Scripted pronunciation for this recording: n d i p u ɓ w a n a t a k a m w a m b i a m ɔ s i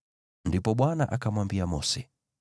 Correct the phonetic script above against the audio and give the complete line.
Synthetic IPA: n d i p ɔ ɓ w a n a ʔ a k a m w a m b i a m ɔ s ɛ